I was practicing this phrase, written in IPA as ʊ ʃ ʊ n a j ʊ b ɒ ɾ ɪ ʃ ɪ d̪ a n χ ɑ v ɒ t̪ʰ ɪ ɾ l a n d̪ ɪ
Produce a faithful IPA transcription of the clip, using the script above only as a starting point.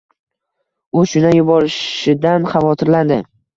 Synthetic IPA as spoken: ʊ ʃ ʊ n a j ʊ b ɒ ɾ ɪ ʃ ɪ d̪ a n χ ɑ v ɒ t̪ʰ ɪ ɾ l a n d̪ ɪ